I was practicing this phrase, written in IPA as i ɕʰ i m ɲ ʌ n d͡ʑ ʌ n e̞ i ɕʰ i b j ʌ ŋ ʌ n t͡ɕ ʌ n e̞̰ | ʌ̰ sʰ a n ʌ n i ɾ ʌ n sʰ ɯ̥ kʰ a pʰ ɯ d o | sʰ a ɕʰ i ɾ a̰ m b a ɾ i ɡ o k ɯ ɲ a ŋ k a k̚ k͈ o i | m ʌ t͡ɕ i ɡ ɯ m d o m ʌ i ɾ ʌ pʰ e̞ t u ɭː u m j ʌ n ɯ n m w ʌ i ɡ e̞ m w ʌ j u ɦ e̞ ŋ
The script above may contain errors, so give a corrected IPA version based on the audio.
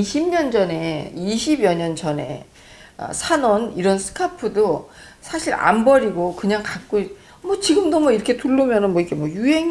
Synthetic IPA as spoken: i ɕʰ i m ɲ ʌ n d͡ʑ ʌ n e̞ i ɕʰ i b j ʌ ɲ ʌ n t͡ɕ ʌ n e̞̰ | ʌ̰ sʰ a n ʌ n i ɾ ʌ n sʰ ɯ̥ kʰ a pʰ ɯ d o | sʰ a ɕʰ i ɾ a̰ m b ʌ ɾ i ɡ o k ɯ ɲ a ŋ k a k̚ k͈ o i | m ʌ t͡ɕ i ɡ ɯ m d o m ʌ i ɾ ʌ kʰ e̞ t u ɭː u m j ʌ n ɯ n m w ʌ i ɡ e̞ m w ʌ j u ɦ e̞ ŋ

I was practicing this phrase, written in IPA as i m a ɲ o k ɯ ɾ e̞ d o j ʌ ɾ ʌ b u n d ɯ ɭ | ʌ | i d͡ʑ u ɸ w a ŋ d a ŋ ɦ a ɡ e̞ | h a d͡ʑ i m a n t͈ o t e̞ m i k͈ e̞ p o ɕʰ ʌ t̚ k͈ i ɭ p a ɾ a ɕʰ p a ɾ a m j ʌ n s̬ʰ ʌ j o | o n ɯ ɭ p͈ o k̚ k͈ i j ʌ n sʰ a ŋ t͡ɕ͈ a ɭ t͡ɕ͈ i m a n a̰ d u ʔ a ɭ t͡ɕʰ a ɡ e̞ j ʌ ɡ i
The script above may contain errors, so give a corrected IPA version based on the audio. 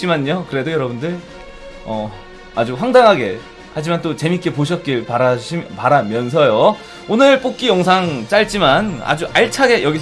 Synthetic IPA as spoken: i m a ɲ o k ɯ ɾ e̞ d o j ʌ ɾ ʌ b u n d ɯ ɭ | ʌ | a d͡ʑ u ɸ w a ŋ d a ŋ ɦ a ɡ e̞ | h a d͡ʑ i m a n t͈ o t͡ɕ e̞ m i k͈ e̞ p o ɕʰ ʌ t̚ k͈ i ɭ p a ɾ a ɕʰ p a ɾ a m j ʌ n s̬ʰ ʌ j o | o n ɯ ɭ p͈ o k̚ k͈ i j ʌ ŋ sʰ a ŋ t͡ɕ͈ a ɭ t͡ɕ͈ i m a n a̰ d͡ʑ u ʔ a ɭ t͡ɕʰ a ɡ e̞ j ʌ ɡ i

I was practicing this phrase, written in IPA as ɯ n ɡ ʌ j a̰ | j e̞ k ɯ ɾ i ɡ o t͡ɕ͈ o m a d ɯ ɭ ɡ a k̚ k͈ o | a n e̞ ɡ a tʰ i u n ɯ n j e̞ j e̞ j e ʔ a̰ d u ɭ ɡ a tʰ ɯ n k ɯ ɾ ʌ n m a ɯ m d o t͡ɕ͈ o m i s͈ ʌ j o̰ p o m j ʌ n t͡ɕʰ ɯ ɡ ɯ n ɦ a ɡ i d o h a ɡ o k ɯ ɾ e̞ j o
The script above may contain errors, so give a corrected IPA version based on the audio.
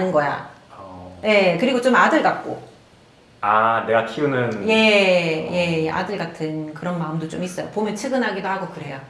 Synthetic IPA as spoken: ɯ n ɡ ʌ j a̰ | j e̞ k ɯ ɾ i ɡ o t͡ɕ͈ o m a d ɯ ɭ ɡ a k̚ k͈ o | a n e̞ ɡ a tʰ i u n ɯ n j e̞ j e̞ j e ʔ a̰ d ɯ ɭ ɡ a tʰ ɯ n k ɯ ɾ ʌ n m a ɯ m d o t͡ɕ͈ o m i s͈ ʌ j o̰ p o m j ʌ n t͡ɕʰ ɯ ɡ ɯ n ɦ a ɡ i d o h a ɡ o k ɯ ɾ e̞ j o

